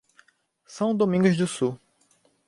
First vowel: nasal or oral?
nasal